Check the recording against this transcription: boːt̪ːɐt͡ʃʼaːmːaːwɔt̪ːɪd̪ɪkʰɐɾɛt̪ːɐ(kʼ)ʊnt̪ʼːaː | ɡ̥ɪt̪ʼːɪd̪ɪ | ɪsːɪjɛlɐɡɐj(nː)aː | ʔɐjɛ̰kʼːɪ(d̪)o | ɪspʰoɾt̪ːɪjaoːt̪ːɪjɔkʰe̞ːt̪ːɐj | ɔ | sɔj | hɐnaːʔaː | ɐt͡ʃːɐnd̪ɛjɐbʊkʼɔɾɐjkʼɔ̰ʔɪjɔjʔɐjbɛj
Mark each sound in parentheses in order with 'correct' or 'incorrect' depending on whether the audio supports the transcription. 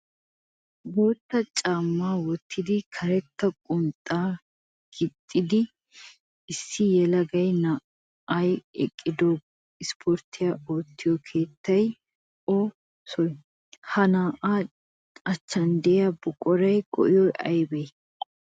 correct, incorrect, correct

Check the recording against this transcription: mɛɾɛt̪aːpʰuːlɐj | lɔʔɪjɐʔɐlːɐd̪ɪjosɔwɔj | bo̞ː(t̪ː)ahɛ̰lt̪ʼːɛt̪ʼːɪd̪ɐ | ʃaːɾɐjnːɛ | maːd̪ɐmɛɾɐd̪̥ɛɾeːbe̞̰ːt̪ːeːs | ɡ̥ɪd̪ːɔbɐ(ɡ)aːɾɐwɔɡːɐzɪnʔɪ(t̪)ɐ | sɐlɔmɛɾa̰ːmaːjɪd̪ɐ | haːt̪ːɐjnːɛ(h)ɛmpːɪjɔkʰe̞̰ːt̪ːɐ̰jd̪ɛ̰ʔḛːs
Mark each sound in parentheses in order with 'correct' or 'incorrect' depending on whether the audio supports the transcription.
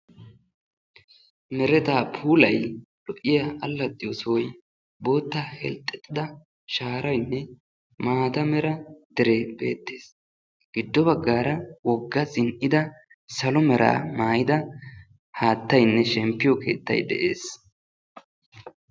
correct, incorrect, incorrect, incorrect

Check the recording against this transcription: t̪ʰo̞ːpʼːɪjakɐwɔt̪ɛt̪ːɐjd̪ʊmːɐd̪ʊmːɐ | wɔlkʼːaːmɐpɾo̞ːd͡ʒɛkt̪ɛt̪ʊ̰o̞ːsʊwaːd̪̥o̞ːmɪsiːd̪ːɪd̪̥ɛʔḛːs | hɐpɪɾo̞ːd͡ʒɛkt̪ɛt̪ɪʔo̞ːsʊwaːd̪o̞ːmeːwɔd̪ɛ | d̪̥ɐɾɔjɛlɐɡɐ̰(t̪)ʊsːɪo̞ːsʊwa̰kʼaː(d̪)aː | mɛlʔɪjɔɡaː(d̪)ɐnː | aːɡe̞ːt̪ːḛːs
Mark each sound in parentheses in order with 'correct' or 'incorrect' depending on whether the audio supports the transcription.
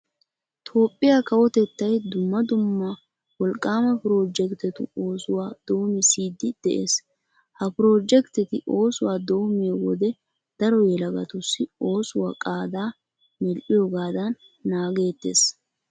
correct, correct, correct

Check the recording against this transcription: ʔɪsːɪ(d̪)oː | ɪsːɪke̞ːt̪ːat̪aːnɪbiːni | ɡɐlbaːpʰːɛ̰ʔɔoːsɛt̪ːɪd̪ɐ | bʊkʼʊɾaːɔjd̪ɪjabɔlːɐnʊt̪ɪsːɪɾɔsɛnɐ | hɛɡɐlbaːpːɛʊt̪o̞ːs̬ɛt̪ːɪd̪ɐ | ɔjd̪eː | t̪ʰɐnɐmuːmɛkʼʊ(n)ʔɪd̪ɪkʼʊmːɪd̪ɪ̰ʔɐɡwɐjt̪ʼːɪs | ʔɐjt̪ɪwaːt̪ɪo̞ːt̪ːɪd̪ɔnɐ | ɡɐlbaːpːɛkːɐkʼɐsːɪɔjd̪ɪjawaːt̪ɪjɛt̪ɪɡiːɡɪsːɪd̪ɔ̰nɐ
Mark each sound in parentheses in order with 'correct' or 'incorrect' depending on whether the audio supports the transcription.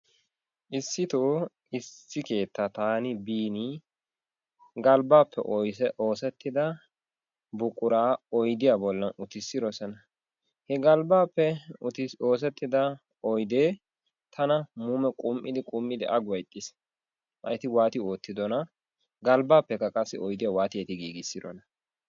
incorrect, incorrect

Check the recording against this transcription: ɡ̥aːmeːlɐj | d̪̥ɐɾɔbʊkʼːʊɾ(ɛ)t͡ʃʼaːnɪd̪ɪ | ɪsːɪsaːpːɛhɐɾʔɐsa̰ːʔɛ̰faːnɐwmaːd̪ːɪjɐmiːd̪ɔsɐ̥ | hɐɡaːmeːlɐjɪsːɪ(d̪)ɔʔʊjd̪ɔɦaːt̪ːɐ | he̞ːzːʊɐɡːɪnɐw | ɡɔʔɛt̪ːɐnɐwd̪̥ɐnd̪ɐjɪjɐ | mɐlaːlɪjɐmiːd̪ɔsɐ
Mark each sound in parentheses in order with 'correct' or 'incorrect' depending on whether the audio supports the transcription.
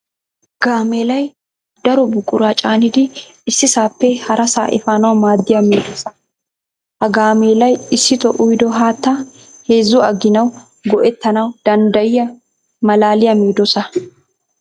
incorrect, incorrect

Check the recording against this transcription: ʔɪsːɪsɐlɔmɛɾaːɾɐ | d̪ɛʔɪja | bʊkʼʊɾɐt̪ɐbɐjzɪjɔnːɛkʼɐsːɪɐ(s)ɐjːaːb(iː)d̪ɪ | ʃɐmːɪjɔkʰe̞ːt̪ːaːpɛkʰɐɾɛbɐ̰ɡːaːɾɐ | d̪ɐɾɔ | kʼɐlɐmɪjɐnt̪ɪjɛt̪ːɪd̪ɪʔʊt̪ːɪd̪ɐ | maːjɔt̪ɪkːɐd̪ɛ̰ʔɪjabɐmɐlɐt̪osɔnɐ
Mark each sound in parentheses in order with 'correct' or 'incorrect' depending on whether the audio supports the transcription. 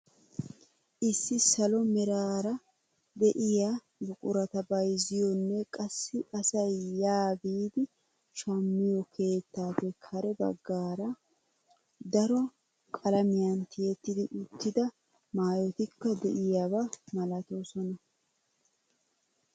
correct, correct

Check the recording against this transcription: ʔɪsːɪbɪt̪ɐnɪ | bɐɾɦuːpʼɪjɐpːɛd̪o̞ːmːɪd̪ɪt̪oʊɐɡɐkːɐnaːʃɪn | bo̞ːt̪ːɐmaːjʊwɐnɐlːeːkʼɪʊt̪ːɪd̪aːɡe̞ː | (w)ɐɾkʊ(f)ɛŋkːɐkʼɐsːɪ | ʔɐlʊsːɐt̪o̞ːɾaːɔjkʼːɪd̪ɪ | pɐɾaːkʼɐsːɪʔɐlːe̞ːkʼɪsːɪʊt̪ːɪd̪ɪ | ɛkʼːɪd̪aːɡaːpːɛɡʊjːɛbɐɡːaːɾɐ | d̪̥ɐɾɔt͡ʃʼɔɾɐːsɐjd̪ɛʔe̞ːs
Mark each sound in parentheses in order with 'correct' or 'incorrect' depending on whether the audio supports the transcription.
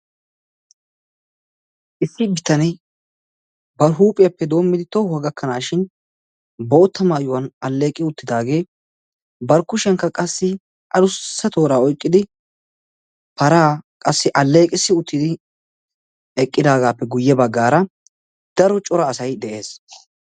incorrect, incorrect

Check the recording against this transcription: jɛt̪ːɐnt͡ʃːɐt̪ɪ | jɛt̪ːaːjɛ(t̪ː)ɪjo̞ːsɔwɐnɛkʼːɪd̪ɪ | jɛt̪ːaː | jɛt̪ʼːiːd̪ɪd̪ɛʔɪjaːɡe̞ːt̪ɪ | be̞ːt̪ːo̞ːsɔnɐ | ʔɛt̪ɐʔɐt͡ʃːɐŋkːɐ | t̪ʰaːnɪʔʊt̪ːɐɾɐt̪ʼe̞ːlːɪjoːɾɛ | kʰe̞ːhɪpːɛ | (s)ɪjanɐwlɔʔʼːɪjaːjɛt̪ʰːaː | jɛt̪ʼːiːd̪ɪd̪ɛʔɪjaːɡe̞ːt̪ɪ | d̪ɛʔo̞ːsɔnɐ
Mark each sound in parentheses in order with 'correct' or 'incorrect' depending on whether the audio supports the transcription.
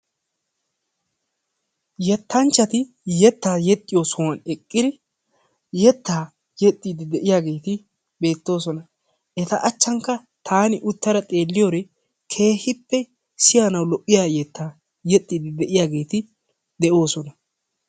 incorrect, correct

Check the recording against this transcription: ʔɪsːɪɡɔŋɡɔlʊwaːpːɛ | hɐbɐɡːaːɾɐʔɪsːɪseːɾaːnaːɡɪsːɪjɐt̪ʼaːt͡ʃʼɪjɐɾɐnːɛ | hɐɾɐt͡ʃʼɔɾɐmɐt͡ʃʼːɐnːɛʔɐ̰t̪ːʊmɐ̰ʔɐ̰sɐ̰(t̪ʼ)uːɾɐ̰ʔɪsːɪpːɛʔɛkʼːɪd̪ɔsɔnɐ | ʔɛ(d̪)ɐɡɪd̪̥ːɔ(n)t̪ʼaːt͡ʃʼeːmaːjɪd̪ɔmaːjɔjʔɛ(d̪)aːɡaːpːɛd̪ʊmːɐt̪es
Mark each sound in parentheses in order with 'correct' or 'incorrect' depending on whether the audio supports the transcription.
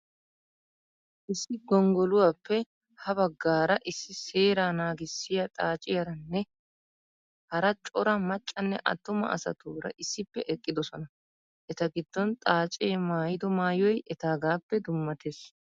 incorrect, incorrect, correct, incorrect

